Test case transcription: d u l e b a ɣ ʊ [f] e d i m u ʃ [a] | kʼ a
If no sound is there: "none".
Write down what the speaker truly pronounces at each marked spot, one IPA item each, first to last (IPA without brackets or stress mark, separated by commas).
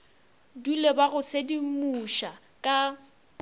s, a